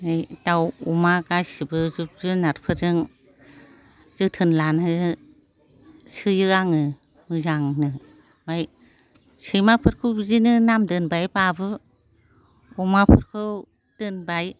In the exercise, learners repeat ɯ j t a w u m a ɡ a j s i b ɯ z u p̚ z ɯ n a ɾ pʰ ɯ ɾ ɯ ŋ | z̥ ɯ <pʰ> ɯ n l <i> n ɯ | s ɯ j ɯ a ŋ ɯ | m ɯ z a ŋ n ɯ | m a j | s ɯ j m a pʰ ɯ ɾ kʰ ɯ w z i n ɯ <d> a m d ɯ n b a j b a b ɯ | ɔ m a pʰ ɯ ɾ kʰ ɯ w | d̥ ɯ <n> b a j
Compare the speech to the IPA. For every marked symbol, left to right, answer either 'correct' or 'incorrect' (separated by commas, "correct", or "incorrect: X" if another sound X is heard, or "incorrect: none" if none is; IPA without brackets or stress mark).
incorrect: tʰ, incorrect: a, incorrect: n, correct